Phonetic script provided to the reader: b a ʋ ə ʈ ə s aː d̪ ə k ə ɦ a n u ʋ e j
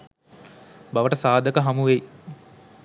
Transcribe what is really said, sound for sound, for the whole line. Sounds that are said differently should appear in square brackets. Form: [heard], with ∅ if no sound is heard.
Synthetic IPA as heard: b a ʋ ə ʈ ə s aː d̪ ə k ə ɦ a [m] u ʋ e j